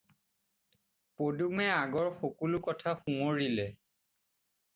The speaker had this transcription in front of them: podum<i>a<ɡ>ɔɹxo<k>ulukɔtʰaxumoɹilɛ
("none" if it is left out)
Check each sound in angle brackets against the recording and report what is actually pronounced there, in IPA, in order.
ɛ, ɡ, k

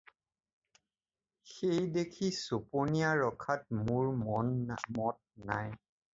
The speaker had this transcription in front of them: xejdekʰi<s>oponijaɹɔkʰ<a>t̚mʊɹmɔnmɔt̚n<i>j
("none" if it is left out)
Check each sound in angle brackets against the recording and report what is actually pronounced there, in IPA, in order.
s, a, a

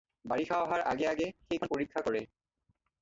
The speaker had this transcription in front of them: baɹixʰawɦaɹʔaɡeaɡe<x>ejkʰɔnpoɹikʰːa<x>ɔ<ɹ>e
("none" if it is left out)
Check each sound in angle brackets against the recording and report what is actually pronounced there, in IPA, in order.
x, k, ɹ

